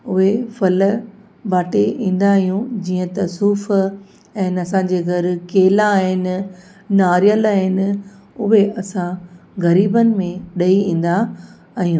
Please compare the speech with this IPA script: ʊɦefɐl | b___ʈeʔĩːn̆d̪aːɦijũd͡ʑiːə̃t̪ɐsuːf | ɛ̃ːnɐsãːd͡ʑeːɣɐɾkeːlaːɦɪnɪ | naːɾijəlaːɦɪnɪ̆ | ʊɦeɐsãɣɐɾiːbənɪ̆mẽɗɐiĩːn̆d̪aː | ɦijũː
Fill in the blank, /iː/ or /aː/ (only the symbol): aː